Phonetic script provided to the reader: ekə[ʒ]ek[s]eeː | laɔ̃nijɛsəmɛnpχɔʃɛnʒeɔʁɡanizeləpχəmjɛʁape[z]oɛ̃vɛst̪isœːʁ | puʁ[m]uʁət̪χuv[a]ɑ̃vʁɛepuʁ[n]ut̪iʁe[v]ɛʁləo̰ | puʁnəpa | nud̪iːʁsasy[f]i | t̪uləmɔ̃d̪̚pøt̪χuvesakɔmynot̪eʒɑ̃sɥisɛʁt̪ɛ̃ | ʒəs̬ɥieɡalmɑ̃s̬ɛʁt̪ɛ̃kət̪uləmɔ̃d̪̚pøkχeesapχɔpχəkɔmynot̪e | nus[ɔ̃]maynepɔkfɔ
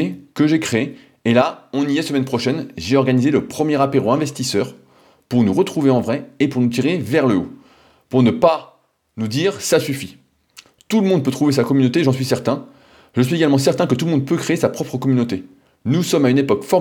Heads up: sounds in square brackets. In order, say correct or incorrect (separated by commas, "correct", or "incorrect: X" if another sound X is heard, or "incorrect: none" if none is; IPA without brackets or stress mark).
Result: correct, incorrect: χ, incorrect: ʁ, incorrect: n, incorrect: e, correct, correct, correct, incorrect: ɔ